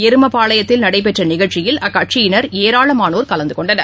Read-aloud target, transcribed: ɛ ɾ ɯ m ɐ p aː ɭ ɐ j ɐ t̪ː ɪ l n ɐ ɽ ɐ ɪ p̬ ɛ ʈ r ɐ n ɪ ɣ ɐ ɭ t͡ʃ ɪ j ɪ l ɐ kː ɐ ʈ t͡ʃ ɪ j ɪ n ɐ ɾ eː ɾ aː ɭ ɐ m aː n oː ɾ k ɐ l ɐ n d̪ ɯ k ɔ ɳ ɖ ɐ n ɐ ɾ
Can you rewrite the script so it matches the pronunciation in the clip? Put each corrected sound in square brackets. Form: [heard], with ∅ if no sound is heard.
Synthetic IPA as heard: ɛ ɾ ɯ m ɐ p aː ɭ ɐ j ɐ t̪ː ɪ l n ɐ ɽ ɐ ɪ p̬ ɛ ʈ r ɐ n ɪ ɣ ɐ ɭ t͡ʃ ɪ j ɪ l ɐ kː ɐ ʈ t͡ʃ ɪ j ɪ n ɐ ɾ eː ɾ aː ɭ ɐ m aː n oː ɾ k ɐ l ɐ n d̪ ɯ k ɔ ɳ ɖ ɐ n ɐ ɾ